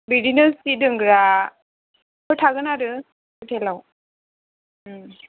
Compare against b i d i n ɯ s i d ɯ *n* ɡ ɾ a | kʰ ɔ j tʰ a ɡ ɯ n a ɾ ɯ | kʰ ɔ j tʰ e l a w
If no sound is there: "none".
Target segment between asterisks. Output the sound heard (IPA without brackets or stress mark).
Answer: ŋ